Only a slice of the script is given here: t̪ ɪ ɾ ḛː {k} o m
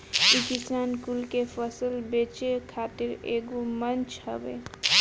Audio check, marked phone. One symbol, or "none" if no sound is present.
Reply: ɡ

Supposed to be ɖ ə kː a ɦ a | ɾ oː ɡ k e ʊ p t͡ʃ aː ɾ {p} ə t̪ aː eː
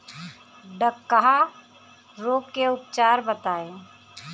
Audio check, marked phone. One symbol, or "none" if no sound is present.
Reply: b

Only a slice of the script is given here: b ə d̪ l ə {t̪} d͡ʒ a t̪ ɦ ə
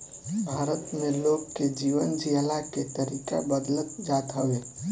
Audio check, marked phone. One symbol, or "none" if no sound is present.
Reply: t̪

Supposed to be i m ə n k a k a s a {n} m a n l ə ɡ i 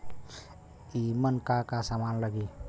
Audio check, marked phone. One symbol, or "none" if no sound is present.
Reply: none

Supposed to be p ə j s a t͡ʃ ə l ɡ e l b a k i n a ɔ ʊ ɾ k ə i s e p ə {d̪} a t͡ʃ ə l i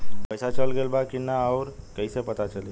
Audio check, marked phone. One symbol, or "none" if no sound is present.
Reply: t̪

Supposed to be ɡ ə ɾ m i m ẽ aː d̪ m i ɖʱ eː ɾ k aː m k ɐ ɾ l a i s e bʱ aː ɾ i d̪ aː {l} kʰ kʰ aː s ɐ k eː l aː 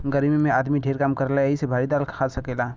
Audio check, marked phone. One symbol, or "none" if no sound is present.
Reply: l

